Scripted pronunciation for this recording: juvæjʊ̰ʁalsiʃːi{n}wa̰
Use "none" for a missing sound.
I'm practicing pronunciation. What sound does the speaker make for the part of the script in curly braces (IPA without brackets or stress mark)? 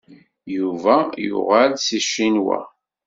n